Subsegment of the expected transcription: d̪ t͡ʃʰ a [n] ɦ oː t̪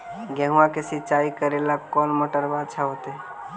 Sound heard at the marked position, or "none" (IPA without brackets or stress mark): none